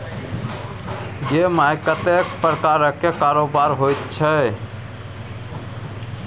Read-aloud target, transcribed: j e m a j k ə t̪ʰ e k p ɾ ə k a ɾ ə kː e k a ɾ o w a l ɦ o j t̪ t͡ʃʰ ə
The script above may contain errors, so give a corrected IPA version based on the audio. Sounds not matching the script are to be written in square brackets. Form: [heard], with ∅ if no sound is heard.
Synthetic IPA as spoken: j e m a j k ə [t̪] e k p ɾ ə k a ɾ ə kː e k a ɾ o [b] a [ɾ] ɦ o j t̪ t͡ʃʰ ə